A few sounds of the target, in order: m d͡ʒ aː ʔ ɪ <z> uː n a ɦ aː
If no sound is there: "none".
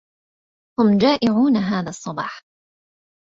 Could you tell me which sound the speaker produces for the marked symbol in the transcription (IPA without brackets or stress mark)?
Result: ʕ